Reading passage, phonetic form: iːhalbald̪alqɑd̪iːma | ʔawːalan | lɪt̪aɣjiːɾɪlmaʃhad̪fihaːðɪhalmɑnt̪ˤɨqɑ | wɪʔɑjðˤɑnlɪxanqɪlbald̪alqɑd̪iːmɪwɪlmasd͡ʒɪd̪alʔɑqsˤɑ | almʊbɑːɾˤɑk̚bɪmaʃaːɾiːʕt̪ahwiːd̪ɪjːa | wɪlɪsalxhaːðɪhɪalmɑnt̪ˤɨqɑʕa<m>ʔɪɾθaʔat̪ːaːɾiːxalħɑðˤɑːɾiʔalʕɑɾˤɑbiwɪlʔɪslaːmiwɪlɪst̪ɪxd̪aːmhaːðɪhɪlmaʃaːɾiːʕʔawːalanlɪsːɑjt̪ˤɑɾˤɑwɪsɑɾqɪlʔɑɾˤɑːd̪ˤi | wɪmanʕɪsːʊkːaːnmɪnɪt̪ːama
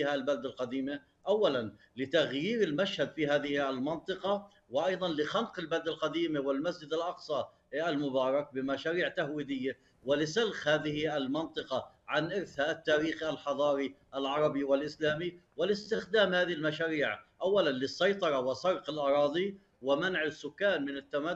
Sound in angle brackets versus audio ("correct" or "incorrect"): incorrect